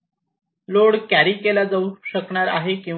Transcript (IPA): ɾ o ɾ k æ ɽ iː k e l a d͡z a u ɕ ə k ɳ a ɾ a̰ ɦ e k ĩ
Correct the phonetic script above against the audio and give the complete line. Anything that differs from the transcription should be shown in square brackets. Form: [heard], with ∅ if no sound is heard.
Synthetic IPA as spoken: [l] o [ɽ] k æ [ɾ] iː k e l a d͡z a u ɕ ə k ɳ a ɾ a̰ ɦ e k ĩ